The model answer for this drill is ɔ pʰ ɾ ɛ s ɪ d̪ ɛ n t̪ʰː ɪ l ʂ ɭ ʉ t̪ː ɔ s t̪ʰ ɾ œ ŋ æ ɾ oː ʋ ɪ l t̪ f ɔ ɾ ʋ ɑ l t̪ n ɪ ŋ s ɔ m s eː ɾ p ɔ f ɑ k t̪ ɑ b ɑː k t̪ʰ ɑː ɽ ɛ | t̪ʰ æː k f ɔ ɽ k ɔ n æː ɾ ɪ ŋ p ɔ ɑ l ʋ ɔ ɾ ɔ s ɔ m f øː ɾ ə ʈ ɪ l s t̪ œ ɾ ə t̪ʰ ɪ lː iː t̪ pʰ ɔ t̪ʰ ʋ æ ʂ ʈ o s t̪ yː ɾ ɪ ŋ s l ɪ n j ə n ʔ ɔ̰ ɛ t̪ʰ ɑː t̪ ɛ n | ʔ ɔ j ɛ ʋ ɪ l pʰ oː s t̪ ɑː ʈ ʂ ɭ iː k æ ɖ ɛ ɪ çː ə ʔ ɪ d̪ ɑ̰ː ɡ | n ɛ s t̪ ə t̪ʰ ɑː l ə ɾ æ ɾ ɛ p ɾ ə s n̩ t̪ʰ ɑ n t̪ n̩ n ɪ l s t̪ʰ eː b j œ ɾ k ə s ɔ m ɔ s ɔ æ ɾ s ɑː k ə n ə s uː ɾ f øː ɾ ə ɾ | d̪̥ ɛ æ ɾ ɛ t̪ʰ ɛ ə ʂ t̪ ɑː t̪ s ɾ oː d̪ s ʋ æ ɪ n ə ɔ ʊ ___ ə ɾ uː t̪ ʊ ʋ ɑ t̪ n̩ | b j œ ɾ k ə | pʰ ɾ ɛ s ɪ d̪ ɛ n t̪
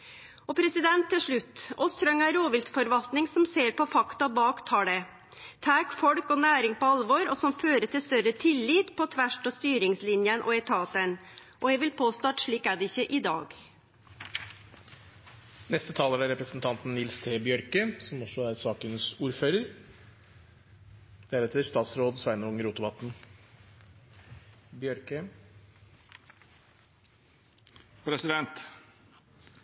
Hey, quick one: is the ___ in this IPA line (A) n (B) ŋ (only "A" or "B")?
B